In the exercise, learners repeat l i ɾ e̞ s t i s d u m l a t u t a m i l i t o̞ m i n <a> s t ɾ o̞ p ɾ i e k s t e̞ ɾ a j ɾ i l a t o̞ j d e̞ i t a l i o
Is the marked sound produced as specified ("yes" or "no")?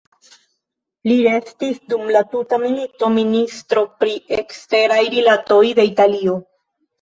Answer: no